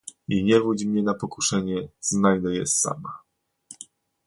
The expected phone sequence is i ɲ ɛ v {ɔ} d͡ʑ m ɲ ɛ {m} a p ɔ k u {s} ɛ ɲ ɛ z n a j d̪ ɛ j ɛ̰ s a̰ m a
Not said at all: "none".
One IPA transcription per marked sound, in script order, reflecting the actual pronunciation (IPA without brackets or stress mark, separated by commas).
u, n, ʂ